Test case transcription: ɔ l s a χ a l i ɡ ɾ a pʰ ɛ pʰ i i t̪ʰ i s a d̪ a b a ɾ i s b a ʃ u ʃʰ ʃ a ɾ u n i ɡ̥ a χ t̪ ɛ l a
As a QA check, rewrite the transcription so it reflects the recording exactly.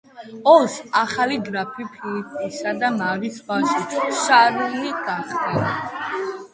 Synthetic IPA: ɔ l s a χ a l i ɡ ɾ a pʰ i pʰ i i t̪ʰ i s a d̪ a m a ɾ i s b a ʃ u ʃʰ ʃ a ɾ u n i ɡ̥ a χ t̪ ɛ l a